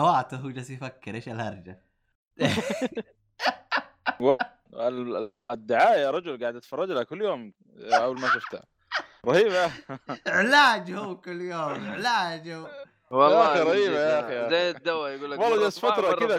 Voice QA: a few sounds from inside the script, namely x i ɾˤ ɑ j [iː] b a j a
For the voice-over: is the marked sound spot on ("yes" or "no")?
yes